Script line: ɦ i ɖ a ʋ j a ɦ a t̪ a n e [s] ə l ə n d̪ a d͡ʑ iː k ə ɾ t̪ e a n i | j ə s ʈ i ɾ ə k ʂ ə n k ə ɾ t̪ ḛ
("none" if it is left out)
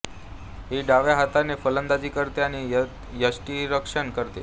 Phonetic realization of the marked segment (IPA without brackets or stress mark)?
f